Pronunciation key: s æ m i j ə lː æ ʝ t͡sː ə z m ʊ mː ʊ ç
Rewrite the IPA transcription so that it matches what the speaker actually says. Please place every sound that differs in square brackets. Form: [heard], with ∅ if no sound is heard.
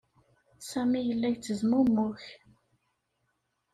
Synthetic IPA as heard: s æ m i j ə lː æ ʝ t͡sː ə z m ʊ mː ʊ ç